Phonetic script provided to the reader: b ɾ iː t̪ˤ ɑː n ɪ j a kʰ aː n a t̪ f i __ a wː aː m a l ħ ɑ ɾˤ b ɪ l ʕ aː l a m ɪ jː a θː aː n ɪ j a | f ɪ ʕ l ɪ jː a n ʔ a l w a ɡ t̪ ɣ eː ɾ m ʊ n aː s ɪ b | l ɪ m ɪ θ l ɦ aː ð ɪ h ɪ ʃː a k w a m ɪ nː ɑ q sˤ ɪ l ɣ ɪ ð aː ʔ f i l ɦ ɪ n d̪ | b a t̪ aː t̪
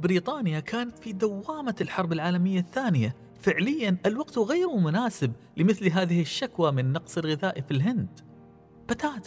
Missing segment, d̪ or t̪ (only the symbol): d̪